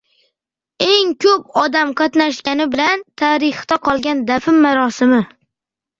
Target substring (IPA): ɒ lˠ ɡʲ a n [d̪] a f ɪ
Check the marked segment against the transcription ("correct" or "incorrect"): correct